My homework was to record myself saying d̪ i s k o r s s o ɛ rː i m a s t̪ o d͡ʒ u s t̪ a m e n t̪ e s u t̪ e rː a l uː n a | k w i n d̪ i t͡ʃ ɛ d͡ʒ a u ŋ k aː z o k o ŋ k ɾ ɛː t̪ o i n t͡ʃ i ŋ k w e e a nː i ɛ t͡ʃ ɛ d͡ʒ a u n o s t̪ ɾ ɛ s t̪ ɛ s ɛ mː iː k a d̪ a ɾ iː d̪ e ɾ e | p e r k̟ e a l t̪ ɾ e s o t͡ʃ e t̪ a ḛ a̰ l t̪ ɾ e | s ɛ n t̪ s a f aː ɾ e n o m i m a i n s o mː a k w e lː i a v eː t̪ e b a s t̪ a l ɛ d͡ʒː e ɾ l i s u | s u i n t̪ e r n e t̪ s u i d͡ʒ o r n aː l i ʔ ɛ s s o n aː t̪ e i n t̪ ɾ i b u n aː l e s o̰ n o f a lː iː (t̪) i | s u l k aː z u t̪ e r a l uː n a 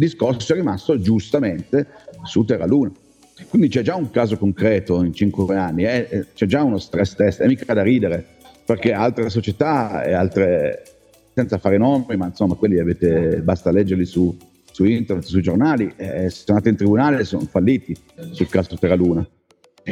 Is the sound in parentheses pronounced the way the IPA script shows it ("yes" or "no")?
yes